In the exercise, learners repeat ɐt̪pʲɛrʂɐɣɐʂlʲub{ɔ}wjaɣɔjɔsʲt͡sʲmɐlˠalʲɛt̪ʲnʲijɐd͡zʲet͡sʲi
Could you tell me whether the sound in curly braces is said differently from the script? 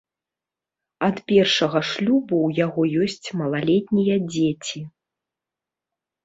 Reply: yes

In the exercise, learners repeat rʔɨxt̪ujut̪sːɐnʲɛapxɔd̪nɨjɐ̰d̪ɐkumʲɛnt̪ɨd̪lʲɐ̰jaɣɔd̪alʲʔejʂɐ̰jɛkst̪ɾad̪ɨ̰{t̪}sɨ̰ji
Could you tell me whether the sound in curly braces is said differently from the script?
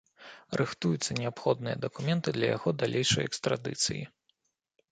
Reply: no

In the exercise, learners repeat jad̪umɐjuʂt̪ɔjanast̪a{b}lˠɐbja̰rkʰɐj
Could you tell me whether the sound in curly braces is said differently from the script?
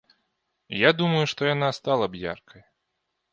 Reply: yes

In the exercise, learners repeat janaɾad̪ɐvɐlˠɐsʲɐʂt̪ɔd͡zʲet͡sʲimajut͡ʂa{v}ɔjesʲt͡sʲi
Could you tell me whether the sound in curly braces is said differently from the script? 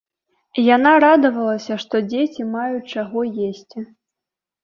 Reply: yes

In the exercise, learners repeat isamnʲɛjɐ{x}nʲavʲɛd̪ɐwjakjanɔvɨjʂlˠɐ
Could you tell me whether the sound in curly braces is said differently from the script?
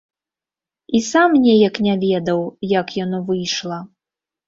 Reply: yes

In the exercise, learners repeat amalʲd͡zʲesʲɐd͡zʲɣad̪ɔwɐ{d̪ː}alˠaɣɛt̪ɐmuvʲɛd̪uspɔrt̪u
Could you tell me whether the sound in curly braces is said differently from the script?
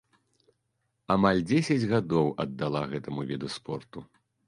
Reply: no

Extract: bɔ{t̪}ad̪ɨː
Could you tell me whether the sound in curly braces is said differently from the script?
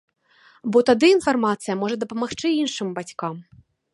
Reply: no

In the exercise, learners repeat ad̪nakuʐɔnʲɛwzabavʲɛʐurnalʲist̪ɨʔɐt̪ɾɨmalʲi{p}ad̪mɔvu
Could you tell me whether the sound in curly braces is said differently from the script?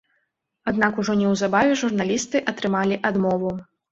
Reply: yes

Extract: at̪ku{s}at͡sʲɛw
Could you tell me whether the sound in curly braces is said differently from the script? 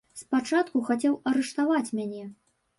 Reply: yes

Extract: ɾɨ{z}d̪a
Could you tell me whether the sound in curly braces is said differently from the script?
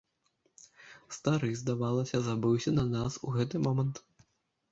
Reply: no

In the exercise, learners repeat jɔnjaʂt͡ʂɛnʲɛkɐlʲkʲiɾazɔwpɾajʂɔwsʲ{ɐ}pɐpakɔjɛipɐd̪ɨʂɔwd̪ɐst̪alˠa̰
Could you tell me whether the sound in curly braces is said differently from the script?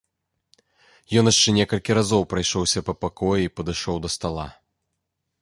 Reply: no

